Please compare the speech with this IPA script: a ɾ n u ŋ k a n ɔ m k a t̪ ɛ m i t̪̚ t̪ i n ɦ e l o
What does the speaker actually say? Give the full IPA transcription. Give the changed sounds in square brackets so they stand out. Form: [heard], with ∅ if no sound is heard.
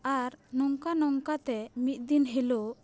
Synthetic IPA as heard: a ɾ n [ɔ] ŋ k a n ɔ [ŋ] k a t̪ ɛ m i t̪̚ [d̪] i n ɦ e l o

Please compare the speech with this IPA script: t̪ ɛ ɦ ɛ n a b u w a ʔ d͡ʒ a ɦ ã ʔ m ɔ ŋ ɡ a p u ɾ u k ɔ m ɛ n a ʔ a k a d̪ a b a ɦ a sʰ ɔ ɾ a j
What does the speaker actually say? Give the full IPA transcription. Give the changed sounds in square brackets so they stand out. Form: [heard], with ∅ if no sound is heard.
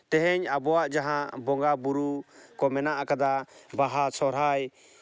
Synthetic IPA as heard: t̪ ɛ ɦ ɛ [ɲ] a b [ɔ] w a ʔ d͡ʒ a ɦ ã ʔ [b] ɔ ŋ ɡ a [b] u ɾ u k ɔ m ɛ n a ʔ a k a d̪ a b a ɦ a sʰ ɔ ɾ a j

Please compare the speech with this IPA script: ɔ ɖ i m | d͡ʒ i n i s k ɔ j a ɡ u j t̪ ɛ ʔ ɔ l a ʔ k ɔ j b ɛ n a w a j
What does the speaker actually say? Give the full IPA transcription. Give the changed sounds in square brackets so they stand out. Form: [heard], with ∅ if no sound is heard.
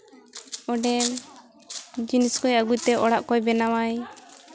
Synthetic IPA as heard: ɔ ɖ [ɛ] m | d͡ʒ i n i s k ɔ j a ɡ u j t̪ ɛ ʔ ɔ [ɽ] a ʔ k ɔ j b ɛ n a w a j

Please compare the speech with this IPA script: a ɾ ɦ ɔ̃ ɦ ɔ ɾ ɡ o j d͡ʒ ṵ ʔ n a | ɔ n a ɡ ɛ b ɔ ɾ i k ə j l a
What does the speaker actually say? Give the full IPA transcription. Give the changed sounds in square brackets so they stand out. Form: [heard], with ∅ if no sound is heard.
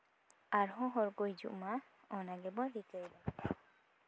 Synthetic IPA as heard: a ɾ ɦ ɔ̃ ɦ ɔ ɾ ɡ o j d͡ʒ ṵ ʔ [m] a | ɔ n a ɡ ɛ b ɔ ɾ i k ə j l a

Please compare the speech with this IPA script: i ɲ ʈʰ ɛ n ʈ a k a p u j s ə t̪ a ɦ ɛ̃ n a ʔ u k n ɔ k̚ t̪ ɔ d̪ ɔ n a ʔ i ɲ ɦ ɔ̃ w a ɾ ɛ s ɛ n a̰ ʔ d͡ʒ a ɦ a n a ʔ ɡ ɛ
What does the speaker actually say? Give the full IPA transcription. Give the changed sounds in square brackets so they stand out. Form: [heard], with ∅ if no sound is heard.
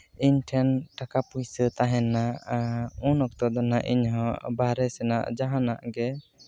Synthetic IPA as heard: i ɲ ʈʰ ɛ n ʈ a k a p u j s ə t̪ a ɦ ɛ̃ n a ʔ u [∅] n ɔ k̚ t̪ ɔ d̪ ɔ n a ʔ i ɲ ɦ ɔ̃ [b] a ɾ ɛ s ɛ n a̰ ʔ d͡ʒ a ɦ a n a ʔ ɡ ɛ

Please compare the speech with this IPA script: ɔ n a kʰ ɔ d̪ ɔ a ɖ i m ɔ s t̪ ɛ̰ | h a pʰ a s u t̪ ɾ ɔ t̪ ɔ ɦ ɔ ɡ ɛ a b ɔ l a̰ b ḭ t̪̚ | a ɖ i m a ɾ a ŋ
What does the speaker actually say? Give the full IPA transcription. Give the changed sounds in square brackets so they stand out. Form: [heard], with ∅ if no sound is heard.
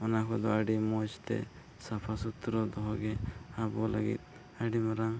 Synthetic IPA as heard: ɔ n a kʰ ɔ d̪ ɔ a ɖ i m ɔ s t̪ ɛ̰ | [s] a pʰ a s u t̪ ɾ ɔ [d̪] ɔ ɦ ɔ ɡ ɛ a b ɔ l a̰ [ɡ] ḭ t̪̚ | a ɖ i m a ɾ a ŋ

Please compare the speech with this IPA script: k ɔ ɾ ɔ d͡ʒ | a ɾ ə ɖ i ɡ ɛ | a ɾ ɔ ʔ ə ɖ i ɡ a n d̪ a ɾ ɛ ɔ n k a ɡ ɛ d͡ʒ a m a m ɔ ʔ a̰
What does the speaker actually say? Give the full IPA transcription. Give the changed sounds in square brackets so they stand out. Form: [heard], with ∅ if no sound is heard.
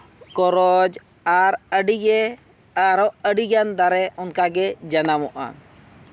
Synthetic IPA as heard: k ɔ ɾ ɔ d͡ʒ | a ɾ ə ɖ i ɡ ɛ | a ɾ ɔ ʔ ə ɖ i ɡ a n d̪ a ɾ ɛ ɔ n k a ɡ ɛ d͡ʒ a [n] a m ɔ ʔ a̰

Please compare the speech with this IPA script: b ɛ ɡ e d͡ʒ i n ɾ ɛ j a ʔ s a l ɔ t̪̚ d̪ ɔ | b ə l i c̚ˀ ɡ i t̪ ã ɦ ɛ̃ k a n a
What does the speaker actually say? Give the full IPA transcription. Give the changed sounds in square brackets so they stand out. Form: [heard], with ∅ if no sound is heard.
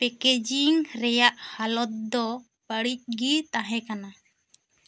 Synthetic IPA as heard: [p] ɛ [k] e d͡ʒ i [ŋ] ɾ ɛ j a ʔ [h] a l ɔ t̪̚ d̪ ɔ | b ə [ɽ] i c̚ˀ ɡ i t̪ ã ɦ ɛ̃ k a n a

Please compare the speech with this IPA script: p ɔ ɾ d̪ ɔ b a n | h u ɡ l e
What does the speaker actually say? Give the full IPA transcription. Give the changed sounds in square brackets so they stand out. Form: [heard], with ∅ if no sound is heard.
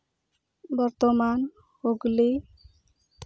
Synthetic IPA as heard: [b] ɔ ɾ [t̪] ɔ [m] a n | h [o] ɡ l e

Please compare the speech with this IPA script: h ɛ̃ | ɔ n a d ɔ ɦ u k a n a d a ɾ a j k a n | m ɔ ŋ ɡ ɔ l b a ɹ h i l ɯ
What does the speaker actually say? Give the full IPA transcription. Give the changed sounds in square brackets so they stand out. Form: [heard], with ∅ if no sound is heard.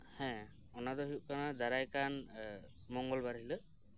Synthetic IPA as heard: h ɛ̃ | ɔ n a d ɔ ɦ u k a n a d a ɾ a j k a n | m ɔ ŋ ɡ ɔ l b a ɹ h i l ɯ

